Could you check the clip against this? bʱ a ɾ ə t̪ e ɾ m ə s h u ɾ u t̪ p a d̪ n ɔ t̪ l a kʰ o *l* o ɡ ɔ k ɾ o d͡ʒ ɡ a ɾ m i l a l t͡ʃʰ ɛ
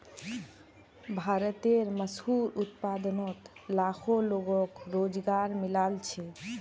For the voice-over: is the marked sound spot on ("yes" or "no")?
yes